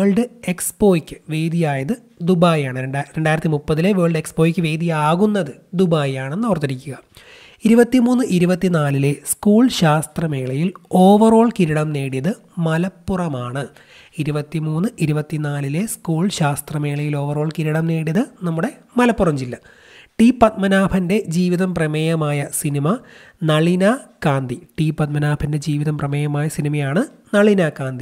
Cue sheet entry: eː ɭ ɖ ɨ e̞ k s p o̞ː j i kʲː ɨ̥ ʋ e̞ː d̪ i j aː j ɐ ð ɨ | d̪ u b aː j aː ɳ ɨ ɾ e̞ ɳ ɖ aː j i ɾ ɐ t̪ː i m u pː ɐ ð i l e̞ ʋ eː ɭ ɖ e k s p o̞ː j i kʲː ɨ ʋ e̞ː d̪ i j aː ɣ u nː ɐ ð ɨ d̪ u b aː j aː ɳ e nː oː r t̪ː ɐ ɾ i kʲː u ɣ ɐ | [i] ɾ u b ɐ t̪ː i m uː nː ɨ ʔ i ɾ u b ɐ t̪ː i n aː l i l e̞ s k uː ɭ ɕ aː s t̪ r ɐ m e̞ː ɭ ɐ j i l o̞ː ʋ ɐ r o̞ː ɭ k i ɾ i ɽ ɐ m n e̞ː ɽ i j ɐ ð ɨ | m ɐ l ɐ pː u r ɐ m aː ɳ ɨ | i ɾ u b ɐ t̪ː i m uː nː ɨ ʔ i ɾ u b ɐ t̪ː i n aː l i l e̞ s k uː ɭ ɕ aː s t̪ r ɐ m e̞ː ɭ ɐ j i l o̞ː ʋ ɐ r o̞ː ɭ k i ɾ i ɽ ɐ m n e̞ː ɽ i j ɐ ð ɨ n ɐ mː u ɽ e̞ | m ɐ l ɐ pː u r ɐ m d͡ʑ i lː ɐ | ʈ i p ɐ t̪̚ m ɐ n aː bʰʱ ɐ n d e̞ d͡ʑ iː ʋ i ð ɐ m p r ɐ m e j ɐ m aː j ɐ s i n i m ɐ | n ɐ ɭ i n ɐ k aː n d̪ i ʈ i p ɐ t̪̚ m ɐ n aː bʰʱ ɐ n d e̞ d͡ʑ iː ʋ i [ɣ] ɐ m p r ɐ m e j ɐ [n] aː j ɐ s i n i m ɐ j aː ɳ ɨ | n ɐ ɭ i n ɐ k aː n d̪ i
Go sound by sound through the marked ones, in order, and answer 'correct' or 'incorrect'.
correct, incorrect: ð, incorrect: m

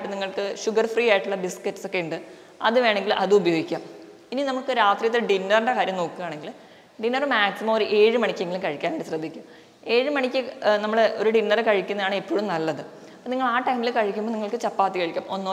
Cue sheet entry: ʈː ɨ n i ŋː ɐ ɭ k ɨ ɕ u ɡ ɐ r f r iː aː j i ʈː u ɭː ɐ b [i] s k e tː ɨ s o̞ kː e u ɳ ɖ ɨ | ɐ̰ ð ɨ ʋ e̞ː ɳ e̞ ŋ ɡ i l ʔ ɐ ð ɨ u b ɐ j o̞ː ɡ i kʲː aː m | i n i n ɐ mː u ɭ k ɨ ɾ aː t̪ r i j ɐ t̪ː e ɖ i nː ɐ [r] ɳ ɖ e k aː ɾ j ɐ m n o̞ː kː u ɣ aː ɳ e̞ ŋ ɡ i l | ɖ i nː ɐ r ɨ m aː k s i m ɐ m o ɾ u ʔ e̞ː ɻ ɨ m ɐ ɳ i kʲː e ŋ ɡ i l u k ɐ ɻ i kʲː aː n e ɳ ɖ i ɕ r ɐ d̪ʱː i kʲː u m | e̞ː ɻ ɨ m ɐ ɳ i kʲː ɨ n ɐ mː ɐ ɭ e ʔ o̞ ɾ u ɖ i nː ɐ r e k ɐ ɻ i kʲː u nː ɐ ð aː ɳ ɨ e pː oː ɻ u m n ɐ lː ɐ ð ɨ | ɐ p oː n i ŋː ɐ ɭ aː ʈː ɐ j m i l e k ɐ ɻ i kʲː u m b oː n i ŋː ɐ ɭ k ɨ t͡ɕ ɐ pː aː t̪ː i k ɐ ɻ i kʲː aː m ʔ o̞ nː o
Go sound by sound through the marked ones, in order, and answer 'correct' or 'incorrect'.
correct, correct

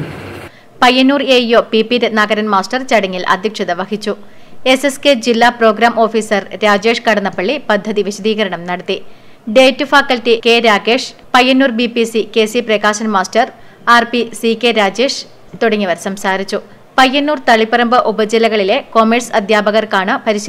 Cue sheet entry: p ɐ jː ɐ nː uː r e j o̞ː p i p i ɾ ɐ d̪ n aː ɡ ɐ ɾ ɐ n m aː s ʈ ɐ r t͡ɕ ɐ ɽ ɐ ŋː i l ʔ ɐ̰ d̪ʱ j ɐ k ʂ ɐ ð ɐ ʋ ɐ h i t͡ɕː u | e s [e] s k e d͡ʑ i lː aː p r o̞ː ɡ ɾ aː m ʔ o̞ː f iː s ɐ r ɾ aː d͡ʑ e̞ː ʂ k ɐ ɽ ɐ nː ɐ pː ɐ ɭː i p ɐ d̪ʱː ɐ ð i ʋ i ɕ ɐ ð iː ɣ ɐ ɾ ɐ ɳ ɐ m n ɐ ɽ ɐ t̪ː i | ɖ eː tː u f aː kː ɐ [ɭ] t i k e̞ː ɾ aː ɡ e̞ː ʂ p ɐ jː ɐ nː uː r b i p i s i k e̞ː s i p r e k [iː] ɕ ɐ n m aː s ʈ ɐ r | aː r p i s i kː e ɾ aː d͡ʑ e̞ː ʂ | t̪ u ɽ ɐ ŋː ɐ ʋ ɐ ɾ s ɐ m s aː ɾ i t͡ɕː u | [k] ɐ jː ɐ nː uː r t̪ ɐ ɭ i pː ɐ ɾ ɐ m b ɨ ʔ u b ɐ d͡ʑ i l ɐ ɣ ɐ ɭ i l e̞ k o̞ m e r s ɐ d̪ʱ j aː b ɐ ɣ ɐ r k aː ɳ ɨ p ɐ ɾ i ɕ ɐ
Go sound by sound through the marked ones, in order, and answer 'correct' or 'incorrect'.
correct, incorrect: l, incorrect: aː, incorrect: p

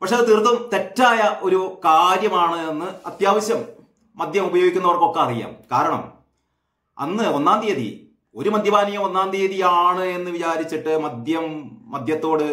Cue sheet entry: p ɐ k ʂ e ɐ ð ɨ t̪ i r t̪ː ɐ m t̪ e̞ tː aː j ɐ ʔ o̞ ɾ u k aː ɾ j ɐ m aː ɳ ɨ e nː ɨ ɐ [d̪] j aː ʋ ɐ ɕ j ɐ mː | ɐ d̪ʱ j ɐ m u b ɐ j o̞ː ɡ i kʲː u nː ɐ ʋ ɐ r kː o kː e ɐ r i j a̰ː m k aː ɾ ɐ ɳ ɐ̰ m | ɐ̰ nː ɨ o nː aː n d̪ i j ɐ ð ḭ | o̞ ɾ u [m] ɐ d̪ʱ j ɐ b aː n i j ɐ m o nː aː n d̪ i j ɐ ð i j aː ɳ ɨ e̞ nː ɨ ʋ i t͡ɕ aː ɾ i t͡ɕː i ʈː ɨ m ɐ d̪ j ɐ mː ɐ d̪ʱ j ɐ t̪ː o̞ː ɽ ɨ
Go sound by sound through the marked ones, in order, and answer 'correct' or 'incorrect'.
incorrect: t̪, correct

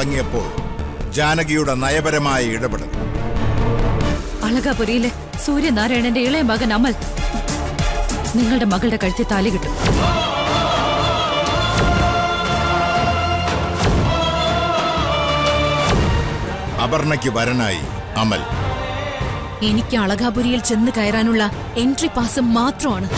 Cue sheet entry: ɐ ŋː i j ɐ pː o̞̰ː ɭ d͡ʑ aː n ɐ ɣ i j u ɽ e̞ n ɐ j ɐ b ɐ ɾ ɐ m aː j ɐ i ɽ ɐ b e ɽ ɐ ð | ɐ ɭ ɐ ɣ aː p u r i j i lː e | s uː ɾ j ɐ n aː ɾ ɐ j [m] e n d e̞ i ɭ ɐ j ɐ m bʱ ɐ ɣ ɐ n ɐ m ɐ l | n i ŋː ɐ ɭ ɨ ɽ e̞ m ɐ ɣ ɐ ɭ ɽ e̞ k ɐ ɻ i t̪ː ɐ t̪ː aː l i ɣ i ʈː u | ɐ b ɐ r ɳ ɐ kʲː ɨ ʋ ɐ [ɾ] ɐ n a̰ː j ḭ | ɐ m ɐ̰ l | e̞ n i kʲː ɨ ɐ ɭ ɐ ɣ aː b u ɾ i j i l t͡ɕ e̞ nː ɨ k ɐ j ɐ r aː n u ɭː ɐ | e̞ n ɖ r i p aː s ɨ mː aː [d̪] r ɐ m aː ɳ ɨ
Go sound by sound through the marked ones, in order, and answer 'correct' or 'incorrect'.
incorrect: ɳ, correct, incorrect: t̪

